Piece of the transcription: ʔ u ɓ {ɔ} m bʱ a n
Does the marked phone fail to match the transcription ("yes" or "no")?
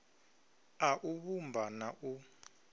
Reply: yes